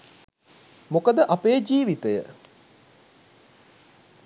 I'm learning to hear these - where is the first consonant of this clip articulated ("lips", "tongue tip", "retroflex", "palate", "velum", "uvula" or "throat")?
lips